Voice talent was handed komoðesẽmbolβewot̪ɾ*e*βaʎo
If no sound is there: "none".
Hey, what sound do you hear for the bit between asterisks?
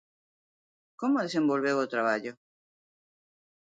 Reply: a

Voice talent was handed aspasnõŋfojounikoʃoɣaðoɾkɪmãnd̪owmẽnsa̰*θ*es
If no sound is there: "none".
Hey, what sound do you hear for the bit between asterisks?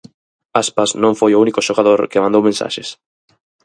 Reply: ʃ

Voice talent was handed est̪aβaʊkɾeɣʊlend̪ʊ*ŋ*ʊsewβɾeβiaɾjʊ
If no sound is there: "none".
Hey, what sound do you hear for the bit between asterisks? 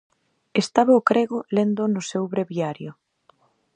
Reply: n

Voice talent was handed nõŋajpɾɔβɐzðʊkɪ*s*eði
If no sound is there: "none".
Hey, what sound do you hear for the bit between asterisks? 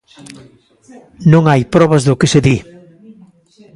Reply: s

